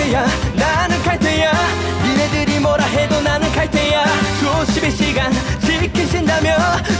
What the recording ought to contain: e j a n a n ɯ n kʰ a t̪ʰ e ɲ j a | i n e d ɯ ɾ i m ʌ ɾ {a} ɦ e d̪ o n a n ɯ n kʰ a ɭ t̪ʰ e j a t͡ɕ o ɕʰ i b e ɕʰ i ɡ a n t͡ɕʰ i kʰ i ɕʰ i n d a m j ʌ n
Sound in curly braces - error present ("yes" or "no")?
no